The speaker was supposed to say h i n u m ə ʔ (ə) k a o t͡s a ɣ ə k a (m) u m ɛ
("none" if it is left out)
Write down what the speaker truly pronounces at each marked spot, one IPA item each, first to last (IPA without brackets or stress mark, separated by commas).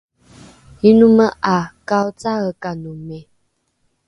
a, n